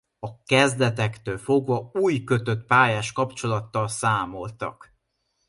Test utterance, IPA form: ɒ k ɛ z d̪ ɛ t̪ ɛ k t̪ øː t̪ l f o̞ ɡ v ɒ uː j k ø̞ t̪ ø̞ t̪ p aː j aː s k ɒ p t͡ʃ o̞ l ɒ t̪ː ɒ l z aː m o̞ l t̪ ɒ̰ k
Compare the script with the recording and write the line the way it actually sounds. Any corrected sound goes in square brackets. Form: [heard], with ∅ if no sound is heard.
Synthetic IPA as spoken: ɒ k ɛ z d̪ ɛ t̪ ɛ k t̪ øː [∅] l f o̞ ɡ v ɒ uː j k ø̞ t̪ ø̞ t̪ p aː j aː [ʃ] k ɒ p t͡ʃ o̞ l ɒ t̪ː ɒ l [s] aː m o̞ l t̪ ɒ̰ k